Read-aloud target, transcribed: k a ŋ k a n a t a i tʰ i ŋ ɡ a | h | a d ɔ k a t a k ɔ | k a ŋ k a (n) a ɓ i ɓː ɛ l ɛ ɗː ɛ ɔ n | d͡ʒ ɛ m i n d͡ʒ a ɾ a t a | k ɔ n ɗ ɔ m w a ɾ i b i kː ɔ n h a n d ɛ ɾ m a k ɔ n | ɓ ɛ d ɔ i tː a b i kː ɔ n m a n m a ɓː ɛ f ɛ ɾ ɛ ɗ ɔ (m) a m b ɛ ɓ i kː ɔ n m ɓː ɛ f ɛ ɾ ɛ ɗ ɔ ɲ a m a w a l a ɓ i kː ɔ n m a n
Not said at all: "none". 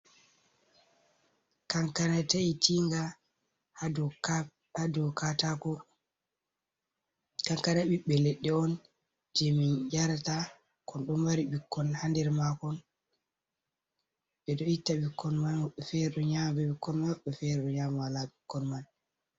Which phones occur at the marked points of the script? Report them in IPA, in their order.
n, ɲ

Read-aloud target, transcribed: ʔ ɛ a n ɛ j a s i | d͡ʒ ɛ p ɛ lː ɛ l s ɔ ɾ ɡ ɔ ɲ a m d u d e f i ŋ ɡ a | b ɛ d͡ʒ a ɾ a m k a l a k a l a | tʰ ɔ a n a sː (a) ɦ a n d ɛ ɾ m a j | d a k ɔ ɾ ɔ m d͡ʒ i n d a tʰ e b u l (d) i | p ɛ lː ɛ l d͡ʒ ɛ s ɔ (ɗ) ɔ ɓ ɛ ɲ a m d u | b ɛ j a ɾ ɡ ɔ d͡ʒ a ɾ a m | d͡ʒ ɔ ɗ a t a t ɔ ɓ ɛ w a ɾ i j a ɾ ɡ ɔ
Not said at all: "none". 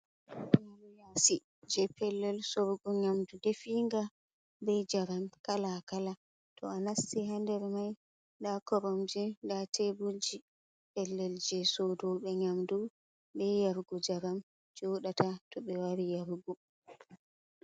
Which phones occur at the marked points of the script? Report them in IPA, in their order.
i, d͡ʒ, d

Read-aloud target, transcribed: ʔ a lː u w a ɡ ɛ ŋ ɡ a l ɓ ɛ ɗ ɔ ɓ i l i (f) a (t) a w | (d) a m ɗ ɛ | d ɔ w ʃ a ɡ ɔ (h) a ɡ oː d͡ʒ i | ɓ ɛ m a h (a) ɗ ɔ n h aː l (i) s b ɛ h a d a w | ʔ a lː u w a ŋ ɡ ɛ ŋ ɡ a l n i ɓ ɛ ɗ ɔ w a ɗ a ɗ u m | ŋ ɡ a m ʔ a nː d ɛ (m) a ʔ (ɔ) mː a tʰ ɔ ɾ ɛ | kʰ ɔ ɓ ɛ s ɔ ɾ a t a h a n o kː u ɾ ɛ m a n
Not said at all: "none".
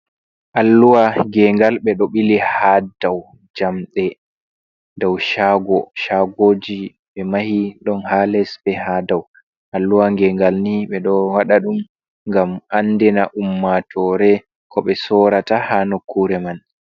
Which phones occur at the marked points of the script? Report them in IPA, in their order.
h, d, d͡ʒ, ʃ, i, ɛ, n, u

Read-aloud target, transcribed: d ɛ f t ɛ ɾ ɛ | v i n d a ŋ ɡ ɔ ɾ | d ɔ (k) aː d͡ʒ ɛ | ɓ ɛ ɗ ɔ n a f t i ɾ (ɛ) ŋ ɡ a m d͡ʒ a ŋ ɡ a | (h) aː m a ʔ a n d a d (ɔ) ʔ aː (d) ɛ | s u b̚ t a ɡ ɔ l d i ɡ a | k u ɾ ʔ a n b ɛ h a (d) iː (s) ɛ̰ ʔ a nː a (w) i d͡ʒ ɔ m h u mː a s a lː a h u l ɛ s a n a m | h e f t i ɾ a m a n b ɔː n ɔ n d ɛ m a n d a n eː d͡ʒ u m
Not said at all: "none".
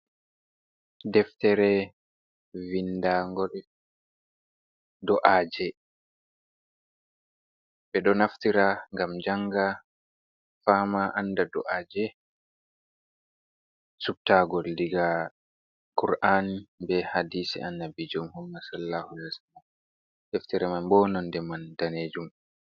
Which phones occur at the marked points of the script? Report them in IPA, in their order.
ʔ, a, f, ɔ, d͡ʒ, d, s, b

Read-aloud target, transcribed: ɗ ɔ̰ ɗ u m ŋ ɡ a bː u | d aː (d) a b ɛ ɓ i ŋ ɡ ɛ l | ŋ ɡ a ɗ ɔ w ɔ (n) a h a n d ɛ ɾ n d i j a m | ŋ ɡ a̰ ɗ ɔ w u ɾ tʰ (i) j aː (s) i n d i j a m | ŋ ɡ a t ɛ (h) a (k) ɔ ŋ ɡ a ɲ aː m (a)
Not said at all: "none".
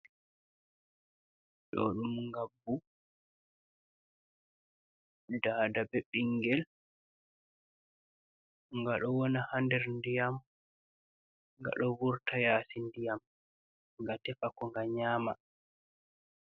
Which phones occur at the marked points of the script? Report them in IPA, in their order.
d, n, a, s, f, k, a

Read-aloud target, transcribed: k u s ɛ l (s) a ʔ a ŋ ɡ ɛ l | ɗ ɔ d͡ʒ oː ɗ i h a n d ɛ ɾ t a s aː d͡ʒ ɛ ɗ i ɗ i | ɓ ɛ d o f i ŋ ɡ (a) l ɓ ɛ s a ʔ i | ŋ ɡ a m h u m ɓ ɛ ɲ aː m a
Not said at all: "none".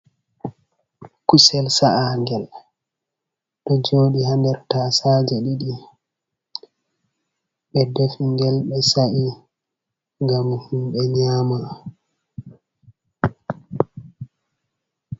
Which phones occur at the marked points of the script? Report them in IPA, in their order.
s, ɛ

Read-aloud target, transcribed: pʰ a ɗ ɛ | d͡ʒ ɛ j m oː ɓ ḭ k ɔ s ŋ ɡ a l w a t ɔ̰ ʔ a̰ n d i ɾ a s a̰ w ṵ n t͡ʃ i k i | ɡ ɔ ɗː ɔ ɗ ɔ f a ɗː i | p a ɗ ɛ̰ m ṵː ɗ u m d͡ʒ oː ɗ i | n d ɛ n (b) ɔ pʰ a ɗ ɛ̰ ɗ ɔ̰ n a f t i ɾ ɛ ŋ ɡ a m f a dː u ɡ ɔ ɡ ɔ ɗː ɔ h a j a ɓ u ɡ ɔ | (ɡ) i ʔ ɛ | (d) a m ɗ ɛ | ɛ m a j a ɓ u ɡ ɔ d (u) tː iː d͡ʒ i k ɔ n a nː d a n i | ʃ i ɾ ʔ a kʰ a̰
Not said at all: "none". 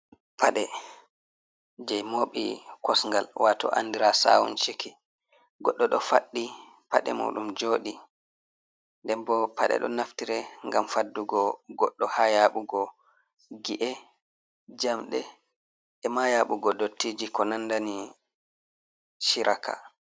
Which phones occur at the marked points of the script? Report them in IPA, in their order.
b, ɡ, d͡ʒ, o

